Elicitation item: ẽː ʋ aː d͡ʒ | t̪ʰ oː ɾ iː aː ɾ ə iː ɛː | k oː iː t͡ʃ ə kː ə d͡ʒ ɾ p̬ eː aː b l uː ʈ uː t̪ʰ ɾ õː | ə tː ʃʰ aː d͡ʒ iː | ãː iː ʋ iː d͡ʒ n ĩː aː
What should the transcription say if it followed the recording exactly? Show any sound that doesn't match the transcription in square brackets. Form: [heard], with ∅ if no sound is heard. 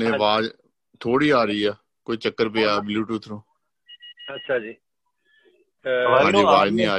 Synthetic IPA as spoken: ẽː ʋ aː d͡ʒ | t̪ʰ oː [ɽ] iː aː ɾ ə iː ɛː | k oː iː t͡ʃ ə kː ə [∅] ɾ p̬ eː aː b l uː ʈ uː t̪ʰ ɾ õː | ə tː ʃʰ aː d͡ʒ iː | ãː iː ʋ [aː] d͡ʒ n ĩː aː